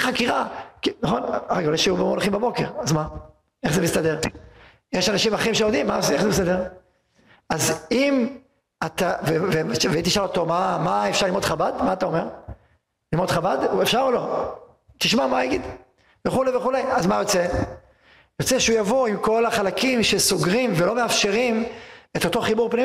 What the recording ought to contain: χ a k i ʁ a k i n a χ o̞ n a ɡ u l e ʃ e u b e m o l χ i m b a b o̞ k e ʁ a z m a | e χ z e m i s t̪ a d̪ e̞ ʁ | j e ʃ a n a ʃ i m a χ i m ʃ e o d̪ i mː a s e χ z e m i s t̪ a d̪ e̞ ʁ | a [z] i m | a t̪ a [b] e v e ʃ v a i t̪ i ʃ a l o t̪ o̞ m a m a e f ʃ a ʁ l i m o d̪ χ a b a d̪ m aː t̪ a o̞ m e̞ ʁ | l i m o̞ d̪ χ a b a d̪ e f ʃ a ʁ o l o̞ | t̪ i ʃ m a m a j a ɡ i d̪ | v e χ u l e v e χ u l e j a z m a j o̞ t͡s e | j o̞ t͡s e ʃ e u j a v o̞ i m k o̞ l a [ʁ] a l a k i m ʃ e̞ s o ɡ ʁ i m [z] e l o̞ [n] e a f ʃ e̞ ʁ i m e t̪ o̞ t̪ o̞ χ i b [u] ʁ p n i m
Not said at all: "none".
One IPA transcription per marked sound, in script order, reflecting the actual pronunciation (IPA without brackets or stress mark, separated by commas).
z, v, χ, v, m, u